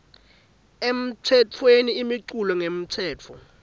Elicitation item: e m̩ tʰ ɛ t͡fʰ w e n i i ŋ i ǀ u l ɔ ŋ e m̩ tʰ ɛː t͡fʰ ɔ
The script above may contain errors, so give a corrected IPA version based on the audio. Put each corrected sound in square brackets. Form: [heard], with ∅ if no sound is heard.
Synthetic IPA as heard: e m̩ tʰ ɛ t͡fʰ w e n i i [m] i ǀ u l ɔ ŋ e m̩ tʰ ɛː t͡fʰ ɔ